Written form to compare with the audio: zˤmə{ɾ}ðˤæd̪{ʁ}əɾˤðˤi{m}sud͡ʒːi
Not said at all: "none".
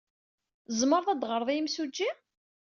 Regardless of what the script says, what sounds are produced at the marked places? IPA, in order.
ɾ, ʁ, m

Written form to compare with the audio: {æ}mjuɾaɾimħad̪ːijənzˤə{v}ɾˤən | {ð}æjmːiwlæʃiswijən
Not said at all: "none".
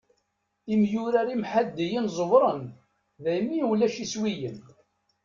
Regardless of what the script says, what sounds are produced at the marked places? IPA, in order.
i, v, ð

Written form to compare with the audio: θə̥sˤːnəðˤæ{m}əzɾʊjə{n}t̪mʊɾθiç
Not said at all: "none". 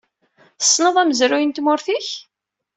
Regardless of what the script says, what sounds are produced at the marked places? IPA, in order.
m, n

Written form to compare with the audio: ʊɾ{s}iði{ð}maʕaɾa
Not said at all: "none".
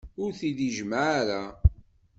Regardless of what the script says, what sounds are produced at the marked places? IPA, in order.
θ, ʒ

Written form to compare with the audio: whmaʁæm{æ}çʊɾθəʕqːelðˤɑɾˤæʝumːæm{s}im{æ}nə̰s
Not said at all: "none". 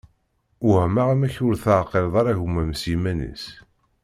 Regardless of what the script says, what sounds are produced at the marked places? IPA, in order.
æ, s, æ

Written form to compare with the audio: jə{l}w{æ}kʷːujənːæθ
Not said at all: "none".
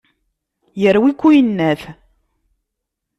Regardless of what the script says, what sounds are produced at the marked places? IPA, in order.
ɾ, i

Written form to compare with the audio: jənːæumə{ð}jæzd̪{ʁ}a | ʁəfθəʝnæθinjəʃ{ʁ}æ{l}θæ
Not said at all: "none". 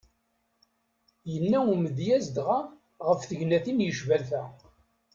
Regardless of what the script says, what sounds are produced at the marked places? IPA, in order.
ð, ʁ, v, l

